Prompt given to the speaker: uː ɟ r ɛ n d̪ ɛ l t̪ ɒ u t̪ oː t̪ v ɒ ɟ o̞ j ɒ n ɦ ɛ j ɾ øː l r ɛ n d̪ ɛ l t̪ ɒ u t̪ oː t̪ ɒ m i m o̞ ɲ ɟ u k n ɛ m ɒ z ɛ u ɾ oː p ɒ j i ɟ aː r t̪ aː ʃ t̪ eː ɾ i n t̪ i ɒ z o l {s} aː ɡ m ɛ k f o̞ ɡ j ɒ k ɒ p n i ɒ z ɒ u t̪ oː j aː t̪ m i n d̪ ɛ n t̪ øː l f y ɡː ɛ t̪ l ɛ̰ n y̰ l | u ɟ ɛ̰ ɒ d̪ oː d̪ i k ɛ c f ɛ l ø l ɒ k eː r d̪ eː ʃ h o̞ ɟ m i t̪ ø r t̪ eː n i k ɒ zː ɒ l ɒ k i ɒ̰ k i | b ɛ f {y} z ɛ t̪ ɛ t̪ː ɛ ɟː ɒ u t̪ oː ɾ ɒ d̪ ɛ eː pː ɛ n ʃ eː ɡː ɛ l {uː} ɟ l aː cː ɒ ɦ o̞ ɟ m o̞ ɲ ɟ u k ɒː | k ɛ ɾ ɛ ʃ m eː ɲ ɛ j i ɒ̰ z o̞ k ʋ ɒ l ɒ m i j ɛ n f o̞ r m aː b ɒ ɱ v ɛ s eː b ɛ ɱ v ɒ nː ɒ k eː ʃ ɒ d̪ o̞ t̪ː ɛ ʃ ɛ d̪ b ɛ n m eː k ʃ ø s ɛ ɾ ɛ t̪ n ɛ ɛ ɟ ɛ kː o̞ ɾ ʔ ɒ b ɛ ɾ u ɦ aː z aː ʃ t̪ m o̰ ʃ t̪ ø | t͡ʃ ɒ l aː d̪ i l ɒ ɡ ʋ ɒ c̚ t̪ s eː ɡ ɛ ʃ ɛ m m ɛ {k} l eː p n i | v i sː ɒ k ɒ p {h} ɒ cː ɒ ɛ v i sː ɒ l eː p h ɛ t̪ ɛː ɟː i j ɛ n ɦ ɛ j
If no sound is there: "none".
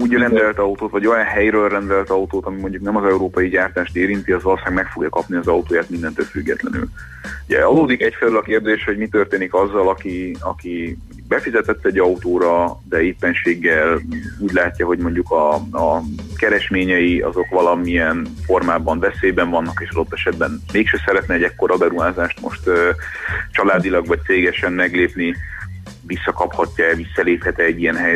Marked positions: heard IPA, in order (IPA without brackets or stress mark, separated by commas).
s, i, uː, ɡ, h